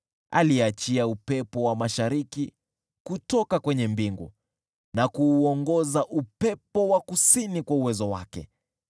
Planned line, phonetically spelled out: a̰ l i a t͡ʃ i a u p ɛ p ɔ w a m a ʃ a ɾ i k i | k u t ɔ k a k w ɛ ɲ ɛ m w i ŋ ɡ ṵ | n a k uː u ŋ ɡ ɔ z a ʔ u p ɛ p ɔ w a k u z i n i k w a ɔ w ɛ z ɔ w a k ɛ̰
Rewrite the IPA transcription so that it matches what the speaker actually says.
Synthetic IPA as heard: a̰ l i a t͡ʃ i a u p ɛ p ɔ w a m a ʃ a ɾ i k i | k u t ɔ k a k w ɛ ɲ ɛ m b i ŋ ɡ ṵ | n a k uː ɔ ŋ ɡ ɔ z a ʔ u p ɛ p ɔ w a k u s i n i k w a u w ɛ z ɔ w a k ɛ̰